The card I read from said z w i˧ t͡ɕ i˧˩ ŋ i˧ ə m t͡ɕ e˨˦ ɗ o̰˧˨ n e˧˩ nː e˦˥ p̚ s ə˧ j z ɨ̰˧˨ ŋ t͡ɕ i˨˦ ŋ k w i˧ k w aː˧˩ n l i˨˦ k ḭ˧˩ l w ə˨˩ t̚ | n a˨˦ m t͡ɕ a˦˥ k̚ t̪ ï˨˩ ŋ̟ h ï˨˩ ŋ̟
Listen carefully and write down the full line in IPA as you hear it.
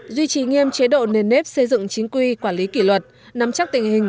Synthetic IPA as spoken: z w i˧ t͡ɕ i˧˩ ŋ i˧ ə m t͡ɕ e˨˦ ɗ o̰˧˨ n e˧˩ nː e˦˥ p̚ s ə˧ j z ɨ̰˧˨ ŋ t͡ɕ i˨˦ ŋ k w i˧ k w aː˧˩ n l i˨˦ k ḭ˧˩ l w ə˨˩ t̚ | n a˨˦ m t͡ɕ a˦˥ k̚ t̪ ï˨˩ ŋ̟ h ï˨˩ ŋ̟